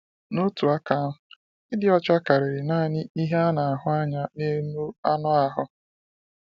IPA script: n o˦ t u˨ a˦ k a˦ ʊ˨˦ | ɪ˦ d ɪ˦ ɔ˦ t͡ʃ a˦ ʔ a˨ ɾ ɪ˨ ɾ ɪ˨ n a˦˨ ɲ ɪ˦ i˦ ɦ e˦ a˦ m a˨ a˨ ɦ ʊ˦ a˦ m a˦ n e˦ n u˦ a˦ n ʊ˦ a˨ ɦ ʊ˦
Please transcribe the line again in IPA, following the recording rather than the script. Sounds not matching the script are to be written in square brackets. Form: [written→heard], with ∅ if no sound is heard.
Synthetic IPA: n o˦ t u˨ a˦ k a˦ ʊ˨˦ | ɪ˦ d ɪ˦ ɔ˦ t͡ʃ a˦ [ʔ→k] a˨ ɾ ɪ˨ ɾ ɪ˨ n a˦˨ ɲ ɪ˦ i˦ ɦ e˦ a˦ [m→n] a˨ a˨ ɦ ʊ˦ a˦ [m→ɲ] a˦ n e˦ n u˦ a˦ n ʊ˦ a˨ ɦ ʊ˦